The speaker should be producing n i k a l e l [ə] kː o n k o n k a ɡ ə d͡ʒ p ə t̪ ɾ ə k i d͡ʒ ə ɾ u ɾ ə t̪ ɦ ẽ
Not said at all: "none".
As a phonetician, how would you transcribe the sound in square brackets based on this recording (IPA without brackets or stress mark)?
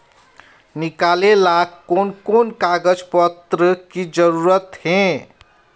a